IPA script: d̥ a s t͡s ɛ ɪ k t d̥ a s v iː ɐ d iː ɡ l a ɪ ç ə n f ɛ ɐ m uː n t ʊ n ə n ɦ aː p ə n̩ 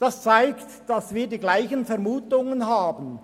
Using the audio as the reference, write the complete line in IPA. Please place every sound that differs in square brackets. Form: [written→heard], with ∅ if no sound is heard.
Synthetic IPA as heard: d̥ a s t͡s [ɛ→a] ɪ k t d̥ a s v iː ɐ d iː ɡ l a ɪ ç ə n f ɛ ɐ m uː [n→∅] t ʊ [n→ŋ] ə n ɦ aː [p→b] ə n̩

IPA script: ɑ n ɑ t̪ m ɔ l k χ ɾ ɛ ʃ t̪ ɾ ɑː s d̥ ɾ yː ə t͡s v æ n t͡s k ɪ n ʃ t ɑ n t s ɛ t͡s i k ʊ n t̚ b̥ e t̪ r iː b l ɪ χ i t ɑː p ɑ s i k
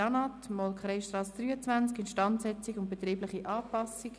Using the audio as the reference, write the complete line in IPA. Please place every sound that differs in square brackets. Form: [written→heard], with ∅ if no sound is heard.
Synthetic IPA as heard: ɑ n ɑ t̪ m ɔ l k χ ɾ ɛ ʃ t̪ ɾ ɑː s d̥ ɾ yː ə t͡s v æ n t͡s k ɪ n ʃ t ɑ n t s ɛ t͡s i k ʊ n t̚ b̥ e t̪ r iː b l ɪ χ i [t→ʔ] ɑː p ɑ s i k

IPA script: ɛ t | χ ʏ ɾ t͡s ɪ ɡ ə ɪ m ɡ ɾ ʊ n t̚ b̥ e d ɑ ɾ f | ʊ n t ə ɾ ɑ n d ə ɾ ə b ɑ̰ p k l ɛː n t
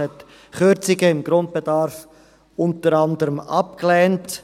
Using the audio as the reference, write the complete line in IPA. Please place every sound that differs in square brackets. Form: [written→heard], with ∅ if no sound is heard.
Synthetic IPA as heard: ɛ t | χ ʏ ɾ t͡s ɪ ɡ ə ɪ m ɡ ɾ ʊ n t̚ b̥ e d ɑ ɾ f | ʊ n t ə ɾ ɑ n d ə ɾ ə [b→m] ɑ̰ p k l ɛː n t

